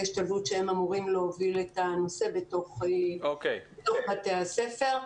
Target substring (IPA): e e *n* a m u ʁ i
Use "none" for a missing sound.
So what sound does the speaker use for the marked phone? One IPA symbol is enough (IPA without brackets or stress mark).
m